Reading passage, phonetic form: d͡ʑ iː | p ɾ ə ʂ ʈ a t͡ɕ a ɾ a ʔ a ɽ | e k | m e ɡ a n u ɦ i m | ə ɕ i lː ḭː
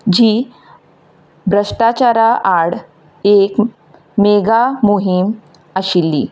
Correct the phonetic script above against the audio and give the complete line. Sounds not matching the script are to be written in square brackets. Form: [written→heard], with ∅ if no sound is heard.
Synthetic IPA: d͡ʑ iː | [p→b] ɾ ə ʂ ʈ a t͡ɕ a ɾ a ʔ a ɽ | e k | m e ɡ a [n→m] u ɦ i m | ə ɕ i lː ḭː